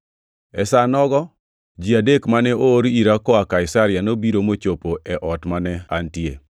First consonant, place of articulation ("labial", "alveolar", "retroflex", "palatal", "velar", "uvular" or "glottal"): alveolar